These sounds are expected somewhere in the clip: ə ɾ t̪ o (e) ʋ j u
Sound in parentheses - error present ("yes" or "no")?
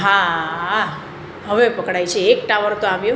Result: yes